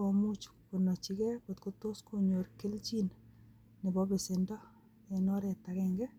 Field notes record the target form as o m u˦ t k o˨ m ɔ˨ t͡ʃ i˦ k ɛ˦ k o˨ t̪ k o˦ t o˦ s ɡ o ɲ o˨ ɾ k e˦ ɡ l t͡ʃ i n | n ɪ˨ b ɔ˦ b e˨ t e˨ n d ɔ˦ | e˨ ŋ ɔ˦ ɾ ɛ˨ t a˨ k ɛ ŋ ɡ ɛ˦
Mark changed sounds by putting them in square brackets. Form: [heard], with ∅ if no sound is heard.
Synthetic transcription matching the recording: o m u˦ [t͡ʃ] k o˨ [n] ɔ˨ t͡ʃ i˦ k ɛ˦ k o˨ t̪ k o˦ t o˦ s [k] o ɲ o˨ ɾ k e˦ [∅] l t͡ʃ i n | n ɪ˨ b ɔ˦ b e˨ [s] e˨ n d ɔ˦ | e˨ [n] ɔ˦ ɾ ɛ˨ t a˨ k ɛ ŋ ɡ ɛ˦